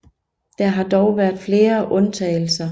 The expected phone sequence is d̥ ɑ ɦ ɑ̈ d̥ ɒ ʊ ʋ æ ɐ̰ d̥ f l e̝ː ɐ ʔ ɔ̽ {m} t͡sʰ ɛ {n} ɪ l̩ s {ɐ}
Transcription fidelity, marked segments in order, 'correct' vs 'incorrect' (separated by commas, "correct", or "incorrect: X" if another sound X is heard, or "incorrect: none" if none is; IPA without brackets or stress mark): incorrect: n, incorrect: none, correct